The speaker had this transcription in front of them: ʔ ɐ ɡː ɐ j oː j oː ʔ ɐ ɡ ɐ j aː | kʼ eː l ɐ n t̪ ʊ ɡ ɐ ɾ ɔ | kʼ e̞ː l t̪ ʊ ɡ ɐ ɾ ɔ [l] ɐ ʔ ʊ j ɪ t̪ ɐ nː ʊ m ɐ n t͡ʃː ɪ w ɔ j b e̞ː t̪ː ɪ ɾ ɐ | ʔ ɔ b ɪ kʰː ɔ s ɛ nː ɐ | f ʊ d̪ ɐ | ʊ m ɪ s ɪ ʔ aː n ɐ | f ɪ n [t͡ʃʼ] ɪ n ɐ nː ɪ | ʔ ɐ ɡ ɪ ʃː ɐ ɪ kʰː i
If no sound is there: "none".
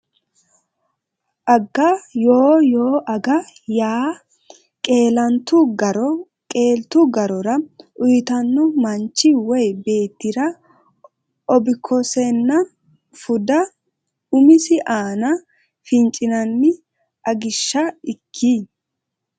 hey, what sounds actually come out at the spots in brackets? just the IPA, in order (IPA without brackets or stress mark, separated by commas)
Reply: ɾ, t͡ʃʼ